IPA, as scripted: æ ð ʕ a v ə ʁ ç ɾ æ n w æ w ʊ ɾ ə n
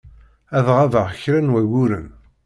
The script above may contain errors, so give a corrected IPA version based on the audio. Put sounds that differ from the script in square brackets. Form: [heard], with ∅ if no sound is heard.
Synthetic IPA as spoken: æ ð [ʁ] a v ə ʁ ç ɾ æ n w æ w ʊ ɾ ə n